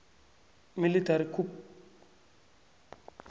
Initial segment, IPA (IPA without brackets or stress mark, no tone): m